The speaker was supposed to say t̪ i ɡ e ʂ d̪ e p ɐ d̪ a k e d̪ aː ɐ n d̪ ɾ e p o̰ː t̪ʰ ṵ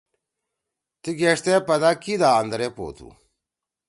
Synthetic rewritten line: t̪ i ɡ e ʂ t̪ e p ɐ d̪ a k i d̪ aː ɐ n d̪ ɾ e p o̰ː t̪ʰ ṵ

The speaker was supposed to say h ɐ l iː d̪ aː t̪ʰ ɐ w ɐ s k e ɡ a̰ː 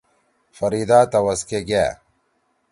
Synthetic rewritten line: f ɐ ɾ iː d̪ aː t̪ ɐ w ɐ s k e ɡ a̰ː

